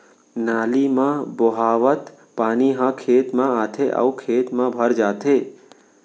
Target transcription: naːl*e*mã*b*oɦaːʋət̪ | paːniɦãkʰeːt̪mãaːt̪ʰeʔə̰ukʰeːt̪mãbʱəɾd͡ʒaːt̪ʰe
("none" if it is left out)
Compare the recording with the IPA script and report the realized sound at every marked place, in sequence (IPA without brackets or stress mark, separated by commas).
i, b